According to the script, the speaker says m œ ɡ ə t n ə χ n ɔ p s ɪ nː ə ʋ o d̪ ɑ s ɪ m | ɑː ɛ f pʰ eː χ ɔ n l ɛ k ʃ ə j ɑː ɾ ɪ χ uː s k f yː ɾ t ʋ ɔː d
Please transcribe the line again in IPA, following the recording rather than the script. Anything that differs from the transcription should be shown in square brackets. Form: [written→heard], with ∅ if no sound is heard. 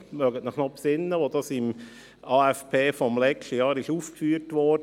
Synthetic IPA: m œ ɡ ə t n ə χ n ɔ p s ɪ nː ə ʋ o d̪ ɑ s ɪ m | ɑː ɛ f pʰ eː [χ→f] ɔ [n→m] l ɛ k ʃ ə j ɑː ɾ ɪ [χ→ʃ] uː [s→f] k f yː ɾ t ʋ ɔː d